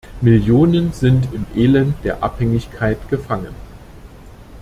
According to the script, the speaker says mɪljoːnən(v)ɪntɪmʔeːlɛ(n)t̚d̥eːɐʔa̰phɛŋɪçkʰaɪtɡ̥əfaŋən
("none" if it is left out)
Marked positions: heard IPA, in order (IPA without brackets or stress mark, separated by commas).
z, n